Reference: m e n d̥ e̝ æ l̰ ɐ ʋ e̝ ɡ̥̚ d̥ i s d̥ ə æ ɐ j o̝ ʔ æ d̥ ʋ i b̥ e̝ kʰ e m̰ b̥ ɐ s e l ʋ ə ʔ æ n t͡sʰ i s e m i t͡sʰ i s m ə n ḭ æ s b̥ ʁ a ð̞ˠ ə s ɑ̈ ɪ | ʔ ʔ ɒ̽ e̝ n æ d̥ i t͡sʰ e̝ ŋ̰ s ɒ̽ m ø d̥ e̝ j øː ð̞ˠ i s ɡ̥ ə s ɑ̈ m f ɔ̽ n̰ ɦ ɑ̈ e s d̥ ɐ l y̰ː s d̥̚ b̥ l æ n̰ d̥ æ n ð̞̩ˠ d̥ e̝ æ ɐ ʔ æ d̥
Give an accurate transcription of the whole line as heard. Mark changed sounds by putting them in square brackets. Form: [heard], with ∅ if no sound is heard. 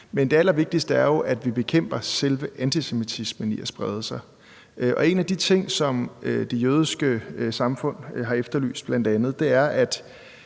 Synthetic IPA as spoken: m e n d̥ e̝ æ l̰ ɐ ʋ e̝ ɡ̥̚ d̥ i s d̥ ə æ ɐ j o̝ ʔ æ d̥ ʋ i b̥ e̝ kʰ e m̰ b̥ ɐ s e l ʋ ə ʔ æ n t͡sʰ i s e m i t͡sʰ i s m ə n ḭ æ s b̥ ʁ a ð̞ˠ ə s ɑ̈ ɪ | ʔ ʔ ɒ̽ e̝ n æ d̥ i t͡sʰ e̝ ŋ̰ s ɒ̽ m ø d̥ e̝ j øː ð̞ˠ i s ɡ̥ ə s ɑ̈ m f ɔ̽ n̰ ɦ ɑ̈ e [f] d̥ ɐ l y̰ː s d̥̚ b̥ l æ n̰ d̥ æ n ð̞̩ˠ d̥ e̝ æ ɐ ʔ æ d̥

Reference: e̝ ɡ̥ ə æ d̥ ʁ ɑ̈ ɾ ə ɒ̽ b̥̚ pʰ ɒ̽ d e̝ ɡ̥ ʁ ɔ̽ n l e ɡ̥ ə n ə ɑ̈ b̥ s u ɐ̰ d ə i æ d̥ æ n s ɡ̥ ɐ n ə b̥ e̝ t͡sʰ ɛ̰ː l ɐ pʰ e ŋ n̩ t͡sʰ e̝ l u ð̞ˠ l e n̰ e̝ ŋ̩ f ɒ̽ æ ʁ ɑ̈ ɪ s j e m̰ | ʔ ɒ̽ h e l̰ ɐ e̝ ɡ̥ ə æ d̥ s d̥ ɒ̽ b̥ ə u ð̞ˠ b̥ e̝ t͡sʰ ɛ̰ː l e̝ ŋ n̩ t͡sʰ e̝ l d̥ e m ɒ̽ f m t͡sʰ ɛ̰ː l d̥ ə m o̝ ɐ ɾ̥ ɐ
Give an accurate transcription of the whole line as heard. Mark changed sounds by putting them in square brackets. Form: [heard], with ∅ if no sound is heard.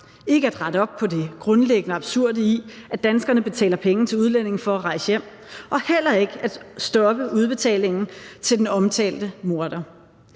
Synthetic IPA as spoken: e̝ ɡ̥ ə æ d̥ ʁ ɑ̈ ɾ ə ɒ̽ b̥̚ pʰ ɒ̽ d e̝ ɡ̥ ʁ ɔ̽ n l e ɡ̥ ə n ə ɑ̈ b̥ s u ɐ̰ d ə i æ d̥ æ n s ɡ̥ ɐ n ə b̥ e̝ t͡sʰ ɛ̰ː l ɐ pʰ e ŋ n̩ t͡sʰ e̝ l u ð̞ˠ l e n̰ e̝ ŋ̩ f ɒ̽ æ ʁ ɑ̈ ɪ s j e m̰ | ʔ ɒ̽ h e l̰ ɐ e̝ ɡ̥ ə æ d̥ s d̥ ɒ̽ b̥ ə u ð̞ˠ b̥ e̝ t͡sʰ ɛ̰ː l e̝ ŋ n̩ t͡sʰ e̝ l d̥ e [n] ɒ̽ [∅] m t͡sʰ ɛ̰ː l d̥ ə m o̝ ɐ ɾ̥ ɐ

